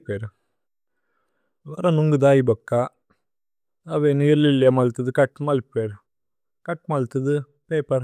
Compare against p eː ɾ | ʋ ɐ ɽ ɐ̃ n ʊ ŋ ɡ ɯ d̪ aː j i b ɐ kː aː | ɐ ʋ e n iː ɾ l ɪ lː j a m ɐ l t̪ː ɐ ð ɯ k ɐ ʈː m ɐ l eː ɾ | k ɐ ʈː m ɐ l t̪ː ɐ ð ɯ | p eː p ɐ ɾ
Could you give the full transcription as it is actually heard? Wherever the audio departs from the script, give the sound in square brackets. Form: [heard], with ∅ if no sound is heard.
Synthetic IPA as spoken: p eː ɾ | ʋ ɐ [ɾ] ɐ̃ n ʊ ŋ ɡ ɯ d̪ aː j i b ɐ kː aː | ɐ ʋ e n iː ɾ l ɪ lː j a m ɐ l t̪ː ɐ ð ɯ k ɐ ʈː m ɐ l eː ɾ | k ɐ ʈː m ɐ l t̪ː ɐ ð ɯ | p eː p ɐ ɾ